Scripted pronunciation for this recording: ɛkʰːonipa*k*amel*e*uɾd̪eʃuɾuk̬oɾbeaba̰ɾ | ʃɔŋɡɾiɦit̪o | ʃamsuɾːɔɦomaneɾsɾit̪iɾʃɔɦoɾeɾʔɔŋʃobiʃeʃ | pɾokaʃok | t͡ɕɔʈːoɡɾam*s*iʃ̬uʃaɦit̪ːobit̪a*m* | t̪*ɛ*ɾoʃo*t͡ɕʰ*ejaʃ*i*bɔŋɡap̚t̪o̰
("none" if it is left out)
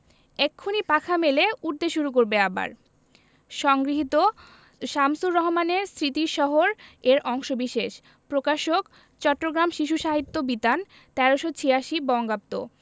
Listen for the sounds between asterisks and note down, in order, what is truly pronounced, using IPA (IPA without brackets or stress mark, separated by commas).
kʰ, e, ʃ, n, ɛ, t͡ɕʰ, i